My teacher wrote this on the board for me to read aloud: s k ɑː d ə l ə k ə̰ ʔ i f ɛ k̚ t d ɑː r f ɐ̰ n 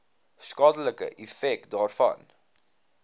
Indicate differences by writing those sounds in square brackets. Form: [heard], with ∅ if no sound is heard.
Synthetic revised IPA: s k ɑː d ə l ə k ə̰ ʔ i f ɛ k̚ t d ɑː r f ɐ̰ n